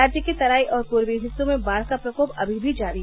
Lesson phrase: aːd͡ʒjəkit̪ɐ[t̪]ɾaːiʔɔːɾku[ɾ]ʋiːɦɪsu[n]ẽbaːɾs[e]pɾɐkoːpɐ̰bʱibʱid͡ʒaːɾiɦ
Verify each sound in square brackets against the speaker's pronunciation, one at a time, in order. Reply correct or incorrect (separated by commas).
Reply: incorrect, correct, incorrect, incorrect